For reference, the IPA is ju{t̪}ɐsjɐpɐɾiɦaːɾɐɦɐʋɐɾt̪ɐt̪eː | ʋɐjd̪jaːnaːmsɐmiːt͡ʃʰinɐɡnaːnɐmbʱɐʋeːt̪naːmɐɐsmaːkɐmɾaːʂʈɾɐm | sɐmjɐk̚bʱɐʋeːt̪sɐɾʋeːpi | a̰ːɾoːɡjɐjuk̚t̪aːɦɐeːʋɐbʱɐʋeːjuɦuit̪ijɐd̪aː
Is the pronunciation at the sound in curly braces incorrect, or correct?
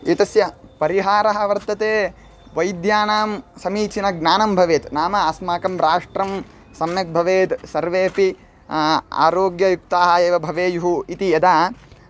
correct